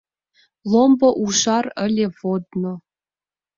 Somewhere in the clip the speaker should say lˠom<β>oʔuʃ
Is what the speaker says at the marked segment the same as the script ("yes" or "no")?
no